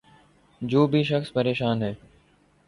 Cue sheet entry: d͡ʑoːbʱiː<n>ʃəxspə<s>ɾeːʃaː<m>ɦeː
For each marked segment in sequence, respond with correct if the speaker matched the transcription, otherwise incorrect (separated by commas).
incorrect, incorrect, incorrect